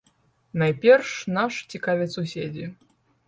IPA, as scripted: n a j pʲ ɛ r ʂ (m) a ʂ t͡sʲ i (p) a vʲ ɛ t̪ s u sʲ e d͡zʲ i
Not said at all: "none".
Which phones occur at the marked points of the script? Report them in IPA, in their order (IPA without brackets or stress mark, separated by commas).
n, k